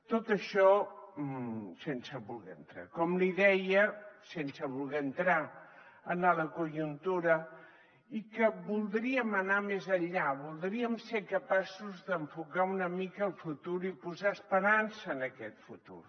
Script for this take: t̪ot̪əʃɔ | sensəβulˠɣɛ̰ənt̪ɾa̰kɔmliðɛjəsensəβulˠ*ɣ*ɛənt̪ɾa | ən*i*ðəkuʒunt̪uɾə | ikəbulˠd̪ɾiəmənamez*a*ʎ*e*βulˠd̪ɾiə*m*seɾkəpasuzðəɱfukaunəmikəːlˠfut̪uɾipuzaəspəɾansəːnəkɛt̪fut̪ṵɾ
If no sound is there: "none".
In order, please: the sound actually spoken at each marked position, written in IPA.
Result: ɣ, a, ə, a, m

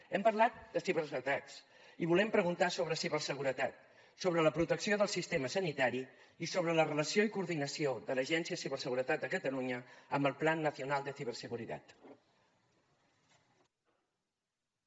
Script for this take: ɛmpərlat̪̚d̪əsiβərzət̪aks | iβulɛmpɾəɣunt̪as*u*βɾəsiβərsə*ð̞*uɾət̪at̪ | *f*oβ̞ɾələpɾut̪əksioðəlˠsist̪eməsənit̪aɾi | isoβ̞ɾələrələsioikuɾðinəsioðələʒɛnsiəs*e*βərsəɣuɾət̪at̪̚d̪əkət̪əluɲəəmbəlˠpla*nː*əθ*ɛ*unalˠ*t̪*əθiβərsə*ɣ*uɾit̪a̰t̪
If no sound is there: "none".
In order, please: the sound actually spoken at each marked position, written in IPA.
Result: o, ɣ̞, s, i, nː, i, d̪, ɣ

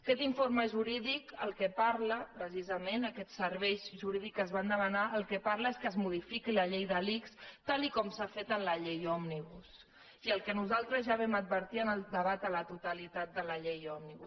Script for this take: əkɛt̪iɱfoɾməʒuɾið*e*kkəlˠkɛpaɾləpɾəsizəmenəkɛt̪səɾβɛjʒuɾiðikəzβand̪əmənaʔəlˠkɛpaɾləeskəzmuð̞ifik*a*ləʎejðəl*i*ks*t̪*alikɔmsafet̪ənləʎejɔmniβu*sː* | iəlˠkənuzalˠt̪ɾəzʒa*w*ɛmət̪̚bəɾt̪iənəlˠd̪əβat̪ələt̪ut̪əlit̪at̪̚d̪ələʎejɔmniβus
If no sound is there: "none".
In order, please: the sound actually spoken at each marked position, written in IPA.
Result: i, i, i, t̪, s, β

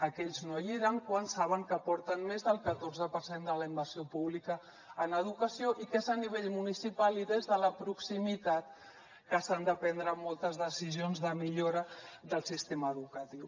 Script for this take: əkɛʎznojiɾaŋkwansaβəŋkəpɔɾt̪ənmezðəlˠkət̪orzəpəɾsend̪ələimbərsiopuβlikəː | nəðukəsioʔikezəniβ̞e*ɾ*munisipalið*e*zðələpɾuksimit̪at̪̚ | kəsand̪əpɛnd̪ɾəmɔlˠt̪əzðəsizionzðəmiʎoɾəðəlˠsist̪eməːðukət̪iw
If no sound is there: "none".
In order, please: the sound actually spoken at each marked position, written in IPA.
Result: ʎ, e

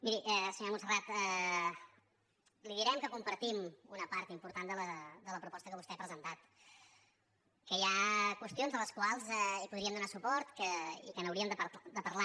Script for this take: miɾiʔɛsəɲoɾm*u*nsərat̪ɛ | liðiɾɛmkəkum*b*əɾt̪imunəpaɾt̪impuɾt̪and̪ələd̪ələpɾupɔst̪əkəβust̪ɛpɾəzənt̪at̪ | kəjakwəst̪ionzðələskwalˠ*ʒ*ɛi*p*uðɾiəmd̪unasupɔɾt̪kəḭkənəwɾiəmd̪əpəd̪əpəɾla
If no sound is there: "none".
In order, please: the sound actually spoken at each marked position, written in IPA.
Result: u, p, z, p

